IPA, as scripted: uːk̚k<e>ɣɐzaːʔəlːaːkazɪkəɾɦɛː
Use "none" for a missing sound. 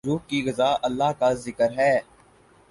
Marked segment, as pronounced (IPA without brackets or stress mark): i